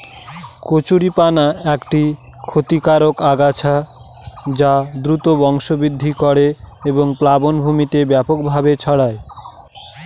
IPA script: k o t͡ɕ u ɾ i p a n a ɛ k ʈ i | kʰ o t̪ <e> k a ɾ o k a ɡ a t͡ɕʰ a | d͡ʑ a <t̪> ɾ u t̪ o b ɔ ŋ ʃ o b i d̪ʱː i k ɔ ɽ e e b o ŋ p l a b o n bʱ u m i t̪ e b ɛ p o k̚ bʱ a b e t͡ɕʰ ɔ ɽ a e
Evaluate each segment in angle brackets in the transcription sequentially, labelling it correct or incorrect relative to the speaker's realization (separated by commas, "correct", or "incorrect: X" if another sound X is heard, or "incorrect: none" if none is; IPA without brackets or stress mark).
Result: incorrect: i, incorrect: d̪